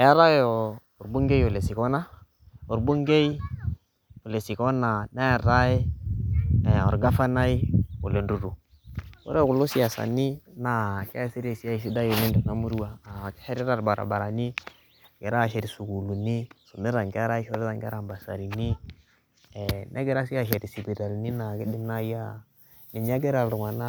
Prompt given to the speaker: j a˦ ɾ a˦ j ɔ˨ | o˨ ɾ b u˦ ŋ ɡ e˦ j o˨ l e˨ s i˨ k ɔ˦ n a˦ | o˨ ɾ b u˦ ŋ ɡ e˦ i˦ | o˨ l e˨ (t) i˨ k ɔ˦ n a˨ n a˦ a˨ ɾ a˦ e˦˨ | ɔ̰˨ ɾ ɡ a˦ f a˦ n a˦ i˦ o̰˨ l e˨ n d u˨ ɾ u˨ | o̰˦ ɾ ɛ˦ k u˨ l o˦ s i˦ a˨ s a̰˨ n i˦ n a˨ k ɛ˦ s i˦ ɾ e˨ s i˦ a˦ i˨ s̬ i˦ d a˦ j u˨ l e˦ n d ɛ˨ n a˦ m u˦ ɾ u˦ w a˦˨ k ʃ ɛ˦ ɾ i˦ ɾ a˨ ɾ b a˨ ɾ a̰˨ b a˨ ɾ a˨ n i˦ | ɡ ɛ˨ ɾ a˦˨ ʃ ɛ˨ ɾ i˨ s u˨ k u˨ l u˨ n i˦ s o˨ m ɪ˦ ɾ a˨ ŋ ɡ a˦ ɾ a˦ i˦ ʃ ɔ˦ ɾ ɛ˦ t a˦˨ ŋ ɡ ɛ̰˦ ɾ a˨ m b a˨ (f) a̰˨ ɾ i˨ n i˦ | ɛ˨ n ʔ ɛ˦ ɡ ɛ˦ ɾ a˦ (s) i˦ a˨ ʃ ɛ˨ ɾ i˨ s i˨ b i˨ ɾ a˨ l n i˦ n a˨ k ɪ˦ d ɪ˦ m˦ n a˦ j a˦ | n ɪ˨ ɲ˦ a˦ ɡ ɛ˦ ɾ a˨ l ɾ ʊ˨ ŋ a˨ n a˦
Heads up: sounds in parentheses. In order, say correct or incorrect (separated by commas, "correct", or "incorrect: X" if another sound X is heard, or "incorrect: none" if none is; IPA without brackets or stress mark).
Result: incorrect: s, incorrect: s, correct